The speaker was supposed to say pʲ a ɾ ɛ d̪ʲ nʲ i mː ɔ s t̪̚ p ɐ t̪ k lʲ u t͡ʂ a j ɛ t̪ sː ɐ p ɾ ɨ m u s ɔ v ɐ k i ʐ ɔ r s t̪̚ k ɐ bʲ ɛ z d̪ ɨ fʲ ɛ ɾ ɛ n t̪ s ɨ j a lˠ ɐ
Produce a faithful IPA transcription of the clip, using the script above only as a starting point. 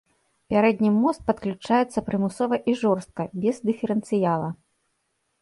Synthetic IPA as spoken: pʲ a ɾ ɛ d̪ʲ nʲ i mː ɔ s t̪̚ p ɐ t̪ k lʲ u t͡ʂ a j ɛ t̪ sː ɐ p ɾ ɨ m u s ɔ v ɐ ʔ i ʐ ɔ r s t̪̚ k ɐ bʲ ɛ z d̪ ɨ fʲ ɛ ɾ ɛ n t̪ s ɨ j a lˠ ɐ